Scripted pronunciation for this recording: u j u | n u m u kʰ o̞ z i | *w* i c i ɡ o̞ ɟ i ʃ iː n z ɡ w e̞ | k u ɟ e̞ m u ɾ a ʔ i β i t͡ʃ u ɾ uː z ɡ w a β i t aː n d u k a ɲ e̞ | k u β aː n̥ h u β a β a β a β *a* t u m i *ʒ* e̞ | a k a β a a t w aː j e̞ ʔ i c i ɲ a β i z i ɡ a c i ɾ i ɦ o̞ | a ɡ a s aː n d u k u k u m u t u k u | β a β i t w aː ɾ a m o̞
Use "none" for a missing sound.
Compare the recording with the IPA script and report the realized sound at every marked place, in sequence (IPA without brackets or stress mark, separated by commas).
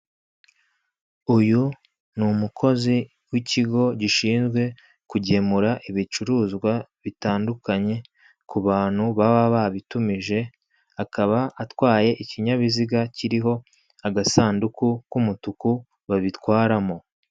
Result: w, i, ʒ